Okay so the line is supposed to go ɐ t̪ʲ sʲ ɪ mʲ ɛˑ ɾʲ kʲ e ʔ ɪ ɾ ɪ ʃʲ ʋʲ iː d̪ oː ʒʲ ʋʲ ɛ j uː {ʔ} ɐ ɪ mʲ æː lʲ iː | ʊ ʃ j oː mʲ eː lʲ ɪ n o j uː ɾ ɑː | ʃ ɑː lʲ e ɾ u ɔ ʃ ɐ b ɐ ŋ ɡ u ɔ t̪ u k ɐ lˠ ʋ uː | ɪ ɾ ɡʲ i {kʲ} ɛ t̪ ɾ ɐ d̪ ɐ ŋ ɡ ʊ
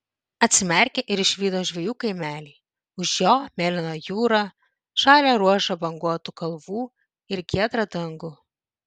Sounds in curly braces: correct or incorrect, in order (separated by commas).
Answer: incorrect, incorrect